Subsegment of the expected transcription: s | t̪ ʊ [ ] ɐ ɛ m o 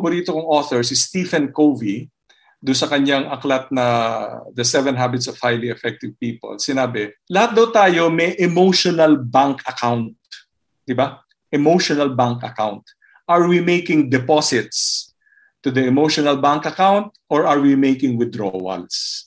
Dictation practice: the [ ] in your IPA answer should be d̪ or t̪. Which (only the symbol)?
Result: d̪